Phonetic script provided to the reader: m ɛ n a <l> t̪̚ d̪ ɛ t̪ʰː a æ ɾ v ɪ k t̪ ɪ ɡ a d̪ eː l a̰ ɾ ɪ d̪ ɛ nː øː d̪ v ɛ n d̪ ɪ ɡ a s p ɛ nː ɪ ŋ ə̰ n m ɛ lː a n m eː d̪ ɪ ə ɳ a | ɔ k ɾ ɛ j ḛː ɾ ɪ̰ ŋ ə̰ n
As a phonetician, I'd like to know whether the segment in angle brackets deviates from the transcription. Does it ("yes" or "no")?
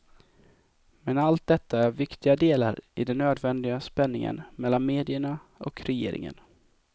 no